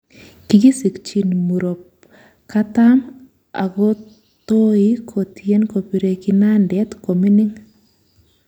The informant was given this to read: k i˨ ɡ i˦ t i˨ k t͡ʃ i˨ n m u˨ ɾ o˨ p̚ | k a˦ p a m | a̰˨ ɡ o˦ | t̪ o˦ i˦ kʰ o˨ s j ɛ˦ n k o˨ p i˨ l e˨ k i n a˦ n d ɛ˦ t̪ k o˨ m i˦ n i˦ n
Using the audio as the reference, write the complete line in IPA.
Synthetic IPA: k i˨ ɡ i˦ s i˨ k t͡ʃ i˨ n m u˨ ɾ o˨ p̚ | k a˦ t a m | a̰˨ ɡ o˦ | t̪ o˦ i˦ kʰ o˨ t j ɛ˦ n k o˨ p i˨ ɾ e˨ k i n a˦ n d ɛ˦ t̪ k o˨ m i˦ n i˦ ŋ